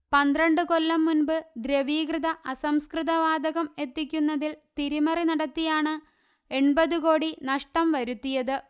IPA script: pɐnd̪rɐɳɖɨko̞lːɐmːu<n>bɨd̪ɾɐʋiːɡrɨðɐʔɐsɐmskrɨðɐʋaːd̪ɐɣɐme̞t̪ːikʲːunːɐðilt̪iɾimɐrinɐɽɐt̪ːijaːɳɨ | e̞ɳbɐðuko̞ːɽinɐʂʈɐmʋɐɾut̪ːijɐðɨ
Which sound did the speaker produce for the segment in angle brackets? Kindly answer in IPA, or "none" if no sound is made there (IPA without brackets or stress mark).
n